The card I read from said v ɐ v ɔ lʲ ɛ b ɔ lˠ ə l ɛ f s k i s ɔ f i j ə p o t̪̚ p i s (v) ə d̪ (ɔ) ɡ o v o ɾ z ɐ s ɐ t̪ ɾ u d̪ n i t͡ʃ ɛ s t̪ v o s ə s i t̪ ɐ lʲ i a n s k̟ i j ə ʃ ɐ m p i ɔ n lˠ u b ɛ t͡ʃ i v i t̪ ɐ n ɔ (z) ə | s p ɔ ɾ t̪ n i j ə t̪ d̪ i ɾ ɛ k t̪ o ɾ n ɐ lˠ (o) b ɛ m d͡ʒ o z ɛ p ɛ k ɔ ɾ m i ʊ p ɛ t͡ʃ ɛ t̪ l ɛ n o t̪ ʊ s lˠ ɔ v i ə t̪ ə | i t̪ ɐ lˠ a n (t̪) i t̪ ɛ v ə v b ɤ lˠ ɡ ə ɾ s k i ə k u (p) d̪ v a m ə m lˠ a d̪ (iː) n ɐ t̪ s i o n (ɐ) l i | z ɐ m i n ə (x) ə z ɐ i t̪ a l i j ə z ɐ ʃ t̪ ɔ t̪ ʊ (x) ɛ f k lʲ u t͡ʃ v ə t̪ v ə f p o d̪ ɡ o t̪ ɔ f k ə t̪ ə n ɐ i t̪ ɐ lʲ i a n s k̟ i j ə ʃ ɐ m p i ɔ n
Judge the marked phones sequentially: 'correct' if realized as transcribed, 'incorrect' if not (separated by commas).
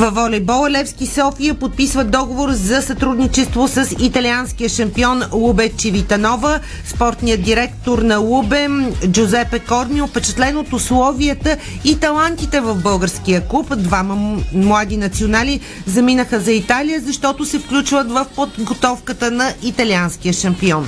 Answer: correct, correct, incorrect, incorrect, correct, correct, incorrect, incorrect, correct, incorrect